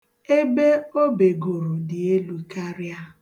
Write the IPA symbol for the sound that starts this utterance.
e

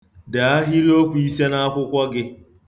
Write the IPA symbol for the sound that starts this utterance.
d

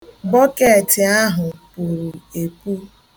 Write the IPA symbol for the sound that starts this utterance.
b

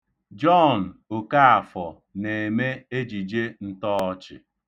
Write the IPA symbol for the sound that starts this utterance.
d͡ʒ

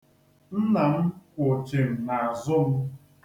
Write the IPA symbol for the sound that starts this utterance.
n̩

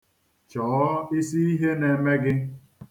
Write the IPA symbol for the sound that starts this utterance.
t͡ʃ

